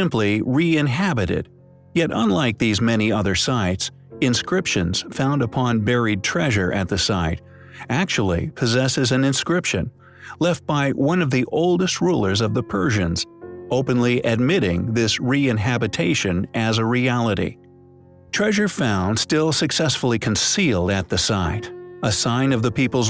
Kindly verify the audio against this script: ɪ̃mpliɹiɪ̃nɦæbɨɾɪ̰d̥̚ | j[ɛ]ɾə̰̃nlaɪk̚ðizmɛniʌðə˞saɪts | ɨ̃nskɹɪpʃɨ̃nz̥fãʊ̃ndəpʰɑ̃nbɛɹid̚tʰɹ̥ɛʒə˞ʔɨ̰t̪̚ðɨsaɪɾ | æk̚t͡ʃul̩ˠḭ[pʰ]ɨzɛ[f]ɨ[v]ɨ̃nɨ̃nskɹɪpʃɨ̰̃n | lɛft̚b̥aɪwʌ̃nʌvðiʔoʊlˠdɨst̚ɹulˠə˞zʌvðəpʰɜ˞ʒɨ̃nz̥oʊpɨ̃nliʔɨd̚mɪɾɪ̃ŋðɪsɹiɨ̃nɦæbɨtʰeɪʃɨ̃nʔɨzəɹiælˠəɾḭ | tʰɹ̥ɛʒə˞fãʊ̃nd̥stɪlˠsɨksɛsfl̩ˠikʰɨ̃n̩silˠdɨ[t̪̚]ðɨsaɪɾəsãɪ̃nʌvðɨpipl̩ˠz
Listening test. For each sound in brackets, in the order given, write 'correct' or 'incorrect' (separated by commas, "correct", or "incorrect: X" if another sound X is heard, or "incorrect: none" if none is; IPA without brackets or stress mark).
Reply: correct, correct, incorrect: s, incorrect: z, correct